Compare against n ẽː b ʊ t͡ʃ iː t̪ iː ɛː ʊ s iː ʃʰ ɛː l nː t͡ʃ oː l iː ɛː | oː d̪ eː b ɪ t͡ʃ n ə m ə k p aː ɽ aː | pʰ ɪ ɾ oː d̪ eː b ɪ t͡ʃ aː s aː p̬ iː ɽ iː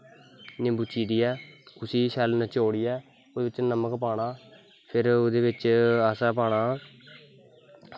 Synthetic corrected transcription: n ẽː b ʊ t͡ʃ iː d̪ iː ɛː ʊ s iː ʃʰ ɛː l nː t͡ʃ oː ɽ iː ɛː | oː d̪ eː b ɪ t͡ʃ n ə m ə k p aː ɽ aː | pʰ ɪ ɾ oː d̪ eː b ɪ t͡ʃ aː s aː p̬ aː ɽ aː